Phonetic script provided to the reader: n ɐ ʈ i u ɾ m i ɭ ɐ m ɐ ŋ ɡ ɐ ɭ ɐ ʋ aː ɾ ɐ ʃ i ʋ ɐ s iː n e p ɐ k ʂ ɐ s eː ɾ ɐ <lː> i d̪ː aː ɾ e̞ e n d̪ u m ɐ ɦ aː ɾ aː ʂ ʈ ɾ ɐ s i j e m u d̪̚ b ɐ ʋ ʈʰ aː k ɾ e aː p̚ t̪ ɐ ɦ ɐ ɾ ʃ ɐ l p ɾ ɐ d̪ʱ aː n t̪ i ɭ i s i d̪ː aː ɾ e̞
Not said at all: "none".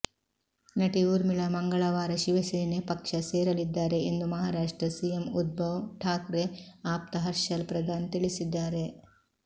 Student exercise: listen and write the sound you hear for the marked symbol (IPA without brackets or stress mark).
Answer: l